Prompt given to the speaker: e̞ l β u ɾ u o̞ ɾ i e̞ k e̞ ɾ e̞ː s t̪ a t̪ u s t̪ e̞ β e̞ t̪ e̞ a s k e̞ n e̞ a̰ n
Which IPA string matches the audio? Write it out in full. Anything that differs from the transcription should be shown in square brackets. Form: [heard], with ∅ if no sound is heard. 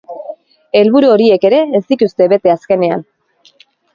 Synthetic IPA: e̞ l β u ɾ u o̞ ɾ i e̞ k e̞ ɾ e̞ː s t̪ [i] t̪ u s t̪ e̞ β e̞ t̪ e̞ a s k e̞ n e̞ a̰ n